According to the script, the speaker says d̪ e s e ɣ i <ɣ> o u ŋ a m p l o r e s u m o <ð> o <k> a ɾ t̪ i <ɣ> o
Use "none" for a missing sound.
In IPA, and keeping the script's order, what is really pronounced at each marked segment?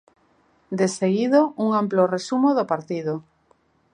ð, ð, p, ð

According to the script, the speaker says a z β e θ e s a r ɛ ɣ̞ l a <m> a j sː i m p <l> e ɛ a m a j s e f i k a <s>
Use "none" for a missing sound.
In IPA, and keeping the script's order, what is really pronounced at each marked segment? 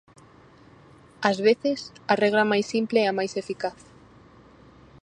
m, l, θ

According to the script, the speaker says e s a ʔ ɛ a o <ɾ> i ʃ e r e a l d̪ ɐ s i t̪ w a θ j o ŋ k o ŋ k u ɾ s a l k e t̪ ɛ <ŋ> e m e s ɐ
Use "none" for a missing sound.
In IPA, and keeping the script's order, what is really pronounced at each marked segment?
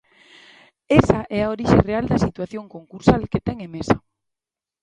ɾ, ŋ

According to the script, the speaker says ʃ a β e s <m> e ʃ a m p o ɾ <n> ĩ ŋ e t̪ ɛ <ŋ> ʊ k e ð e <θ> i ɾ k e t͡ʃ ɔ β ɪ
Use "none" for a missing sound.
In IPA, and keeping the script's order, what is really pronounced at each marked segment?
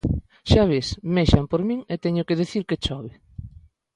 m, m, ɲ, θ

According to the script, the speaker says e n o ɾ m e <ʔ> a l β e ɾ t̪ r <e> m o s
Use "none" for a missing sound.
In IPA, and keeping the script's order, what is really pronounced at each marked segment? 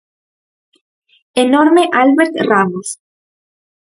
ʔ, a

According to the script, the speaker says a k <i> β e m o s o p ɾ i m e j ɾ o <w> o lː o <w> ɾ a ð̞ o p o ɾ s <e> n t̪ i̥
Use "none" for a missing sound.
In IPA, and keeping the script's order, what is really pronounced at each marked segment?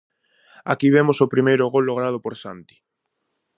i, ɣ, ɣ, a

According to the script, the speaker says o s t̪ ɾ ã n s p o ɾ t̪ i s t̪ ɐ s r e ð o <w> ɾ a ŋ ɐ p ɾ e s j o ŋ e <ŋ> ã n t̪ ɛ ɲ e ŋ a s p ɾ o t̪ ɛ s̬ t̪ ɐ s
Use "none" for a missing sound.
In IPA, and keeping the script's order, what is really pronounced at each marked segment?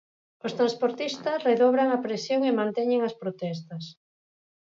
β, m

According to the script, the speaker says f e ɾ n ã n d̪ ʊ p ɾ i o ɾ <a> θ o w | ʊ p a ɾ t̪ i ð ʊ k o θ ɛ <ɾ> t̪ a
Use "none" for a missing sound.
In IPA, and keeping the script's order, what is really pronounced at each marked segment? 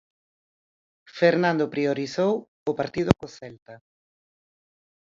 i, l

